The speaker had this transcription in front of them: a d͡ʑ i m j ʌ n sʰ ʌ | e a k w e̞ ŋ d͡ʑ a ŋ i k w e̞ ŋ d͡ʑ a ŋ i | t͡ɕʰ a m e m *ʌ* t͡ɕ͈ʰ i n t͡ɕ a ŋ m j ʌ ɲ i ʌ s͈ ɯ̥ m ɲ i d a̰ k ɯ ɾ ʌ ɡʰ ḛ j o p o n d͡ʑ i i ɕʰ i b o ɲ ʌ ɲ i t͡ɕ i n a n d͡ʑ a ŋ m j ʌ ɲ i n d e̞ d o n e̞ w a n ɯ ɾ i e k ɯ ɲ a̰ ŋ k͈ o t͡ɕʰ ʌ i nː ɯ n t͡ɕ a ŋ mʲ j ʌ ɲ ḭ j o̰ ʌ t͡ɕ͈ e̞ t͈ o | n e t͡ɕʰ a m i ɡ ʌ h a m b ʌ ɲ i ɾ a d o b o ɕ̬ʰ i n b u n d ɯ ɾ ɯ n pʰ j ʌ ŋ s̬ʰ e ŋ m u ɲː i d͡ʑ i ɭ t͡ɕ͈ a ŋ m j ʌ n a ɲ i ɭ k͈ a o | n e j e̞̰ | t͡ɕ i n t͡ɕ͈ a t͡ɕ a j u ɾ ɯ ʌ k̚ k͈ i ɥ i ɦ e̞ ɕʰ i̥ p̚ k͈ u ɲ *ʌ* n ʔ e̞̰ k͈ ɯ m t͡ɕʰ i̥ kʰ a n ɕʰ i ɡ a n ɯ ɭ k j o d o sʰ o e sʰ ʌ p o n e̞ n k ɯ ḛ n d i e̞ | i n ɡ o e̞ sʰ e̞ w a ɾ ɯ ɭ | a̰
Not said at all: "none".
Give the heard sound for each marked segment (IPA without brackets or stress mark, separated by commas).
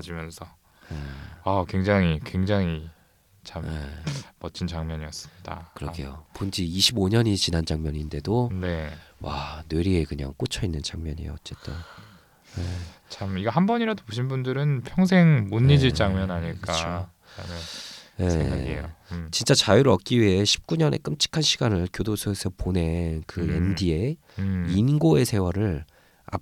ʌ, ʌ